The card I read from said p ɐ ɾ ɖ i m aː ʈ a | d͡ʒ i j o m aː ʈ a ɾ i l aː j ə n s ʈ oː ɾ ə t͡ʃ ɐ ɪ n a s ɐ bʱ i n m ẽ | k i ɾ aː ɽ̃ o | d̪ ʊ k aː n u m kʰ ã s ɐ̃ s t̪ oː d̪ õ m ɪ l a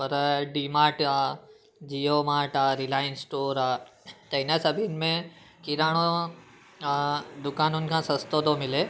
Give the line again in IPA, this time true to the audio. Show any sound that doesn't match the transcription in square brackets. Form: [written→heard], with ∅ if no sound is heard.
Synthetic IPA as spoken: p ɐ ɾ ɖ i m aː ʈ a | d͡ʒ i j o m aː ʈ a ɾ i l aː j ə n s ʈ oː ɾ [ə→a] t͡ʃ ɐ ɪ n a s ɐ bʱ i n m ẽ | k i ɾ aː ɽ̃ o | d̪ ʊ k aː n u [m→n] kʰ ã s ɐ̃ s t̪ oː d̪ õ m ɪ l [a→e]